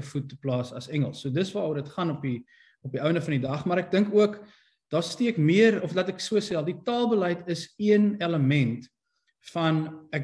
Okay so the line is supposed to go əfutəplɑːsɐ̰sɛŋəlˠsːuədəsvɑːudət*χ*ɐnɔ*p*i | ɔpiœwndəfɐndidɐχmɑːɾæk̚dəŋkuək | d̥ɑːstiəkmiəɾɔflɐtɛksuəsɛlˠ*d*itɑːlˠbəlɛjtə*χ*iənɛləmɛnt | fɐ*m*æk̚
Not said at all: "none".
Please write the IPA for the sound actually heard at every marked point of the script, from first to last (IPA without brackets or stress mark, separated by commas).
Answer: χ, p, d, s, n